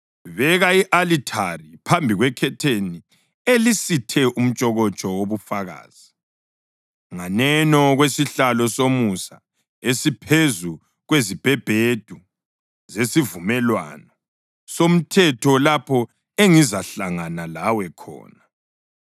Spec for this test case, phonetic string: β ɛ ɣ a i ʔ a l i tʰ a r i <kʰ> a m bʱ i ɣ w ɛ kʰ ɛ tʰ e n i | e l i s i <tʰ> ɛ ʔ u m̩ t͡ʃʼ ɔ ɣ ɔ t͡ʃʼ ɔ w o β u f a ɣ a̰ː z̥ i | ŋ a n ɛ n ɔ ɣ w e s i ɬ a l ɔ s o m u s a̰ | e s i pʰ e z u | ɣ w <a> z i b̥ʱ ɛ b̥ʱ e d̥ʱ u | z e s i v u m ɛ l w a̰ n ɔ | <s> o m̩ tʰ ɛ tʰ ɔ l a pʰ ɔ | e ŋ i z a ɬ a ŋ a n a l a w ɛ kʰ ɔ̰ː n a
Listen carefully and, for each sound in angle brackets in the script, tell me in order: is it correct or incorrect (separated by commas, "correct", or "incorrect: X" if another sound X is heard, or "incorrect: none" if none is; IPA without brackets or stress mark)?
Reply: incorrect: pʰ, correct, incorrect: e, correct